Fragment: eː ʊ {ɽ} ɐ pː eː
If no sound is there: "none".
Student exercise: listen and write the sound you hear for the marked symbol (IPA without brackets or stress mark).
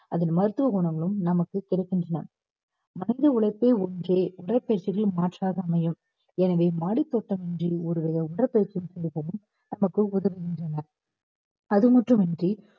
ɽ